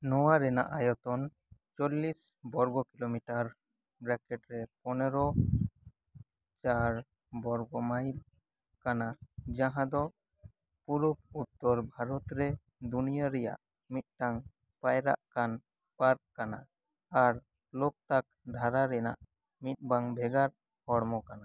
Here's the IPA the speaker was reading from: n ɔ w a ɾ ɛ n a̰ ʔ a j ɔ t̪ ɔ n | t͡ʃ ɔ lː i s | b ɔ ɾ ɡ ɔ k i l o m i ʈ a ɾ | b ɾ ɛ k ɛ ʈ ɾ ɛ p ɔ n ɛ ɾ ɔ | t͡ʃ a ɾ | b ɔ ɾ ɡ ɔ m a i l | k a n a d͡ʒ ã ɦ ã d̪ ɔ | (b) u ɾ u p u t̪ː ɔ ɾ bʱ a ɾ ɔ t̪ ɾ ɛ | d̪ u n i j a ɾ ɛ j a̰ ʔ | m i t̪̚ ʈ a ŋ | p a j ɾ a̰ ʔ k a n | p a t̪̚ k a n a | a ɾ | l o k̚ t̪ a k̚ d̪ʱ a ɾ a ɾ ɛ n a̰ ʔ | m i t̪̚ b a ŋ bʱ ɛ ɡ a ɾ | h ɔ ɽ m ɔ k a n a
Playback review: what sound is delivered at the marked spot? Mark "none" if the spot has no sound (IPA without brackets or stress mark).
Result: p